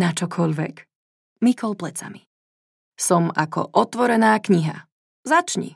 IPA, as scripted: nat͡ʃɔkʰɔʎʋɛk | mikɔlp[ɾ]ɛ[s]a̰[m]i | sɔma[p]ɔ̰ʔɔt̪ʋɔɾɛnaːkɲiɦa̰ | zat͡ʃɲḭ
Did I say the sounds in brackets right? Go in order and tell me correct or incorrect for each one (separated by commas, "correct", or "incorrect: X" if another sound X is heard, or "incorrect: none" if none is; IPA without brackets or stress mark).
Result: incorrect: l, incorrect: t͡s, correct, incorrect: k